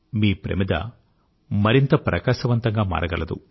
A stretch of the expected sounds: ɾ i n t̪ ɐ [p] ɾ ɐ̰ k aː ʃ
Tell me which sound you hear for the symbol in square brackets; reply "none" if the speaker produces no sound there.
p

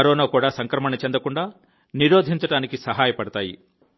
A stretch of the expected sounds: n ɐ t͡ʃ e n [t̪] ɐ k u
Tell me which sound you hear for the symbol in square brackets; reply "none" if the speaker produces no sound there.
d̪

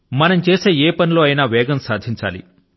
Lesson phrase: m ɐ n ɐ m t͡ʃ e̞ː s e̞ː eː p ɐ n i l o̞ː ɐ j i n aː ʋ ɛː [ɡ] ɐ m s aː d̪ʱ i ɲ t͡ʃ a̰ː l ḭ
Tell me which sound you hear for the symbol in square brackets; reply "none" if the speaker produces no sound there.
ɡ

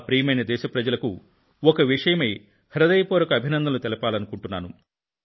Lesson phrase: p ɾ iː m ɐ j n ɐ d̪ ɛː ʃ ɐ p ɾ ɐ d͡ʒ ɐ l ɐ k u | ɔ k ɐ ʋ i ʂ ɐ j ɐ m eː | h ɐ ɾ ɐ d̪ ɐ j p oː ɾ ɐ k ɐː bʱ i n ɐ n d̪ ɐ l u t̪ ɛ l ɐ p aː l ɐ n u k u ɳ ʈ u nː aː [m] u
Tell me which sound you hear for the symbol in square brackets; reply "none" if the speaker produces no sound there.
n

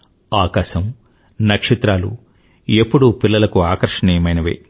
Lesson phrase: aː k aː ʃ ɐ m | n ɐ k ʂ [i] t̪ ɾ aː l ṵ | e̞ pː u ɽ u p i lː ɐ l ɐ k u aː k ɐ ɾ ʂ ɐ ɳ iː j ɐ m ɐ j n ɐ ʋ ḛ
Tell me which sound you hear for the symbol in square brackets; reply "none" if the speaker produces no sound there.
i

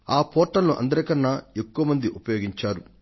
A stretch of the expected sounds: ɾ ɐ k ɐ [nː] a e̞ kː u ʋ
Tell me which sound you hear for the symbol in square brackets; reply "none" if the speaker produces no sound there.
nː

